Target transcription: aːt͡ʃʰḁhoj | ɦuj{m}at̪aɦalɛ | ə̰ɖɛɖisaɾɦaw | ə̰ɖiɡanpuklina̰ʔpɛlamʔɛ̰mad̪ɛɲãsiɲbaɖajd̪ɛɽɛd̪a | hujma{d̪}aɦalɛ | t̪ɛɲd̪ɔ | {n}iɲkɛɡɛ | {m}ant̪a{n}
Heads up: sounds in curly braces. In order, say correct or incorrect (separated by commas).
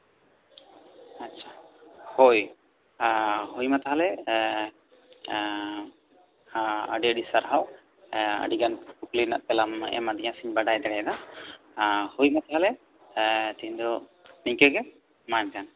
correct, incorrect, correct, correct, correct